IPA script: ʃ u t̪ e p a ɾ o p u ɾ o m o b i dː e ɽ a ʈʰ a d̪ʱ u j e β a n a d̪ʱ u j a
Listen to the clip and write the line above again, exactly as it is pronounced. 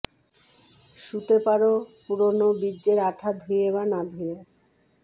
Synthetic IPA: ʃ u t̪ e p a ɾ o p u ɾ o n o b i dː e ɾ a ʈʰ a d̪ʱ u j e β a n a d̪ʱ u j e